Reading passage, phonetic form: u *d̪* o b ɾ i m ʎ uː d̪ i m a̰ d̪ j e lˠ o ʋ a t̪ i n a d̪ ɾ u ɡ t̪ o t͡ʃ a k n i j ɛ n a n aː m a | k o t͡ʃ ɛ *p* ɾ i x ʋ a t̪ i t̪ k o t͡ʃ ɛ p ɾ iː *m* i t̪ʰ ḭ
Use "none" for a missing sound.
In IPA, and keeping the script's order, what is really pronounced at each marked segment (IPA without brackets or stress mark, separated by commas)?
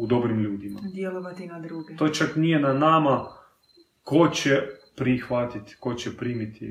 d̪, p, m